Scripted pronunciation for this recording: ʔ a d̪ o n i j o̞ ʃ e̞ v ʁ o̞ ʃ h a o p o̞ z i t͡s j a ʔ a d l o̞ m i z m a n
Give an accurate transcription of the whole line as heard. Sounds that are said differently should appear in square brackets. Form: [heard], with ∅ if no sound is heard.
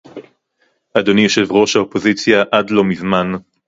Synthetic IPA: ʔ a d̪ o n i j o̞ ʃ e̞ v ʁ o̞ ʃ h a o p o̞ z i t͡s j a ʔ a d l o̞ m i z m a n